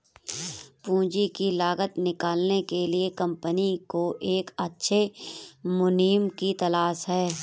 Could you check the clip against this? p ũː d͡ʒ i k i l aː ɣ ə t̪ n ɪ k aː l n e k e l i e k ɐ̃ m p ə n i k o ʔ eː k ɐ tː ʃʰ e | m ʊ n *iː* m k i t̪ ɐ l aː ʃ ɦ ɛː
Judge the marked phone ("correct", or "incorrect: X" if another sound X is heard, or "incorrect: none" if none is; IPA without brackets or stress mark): correct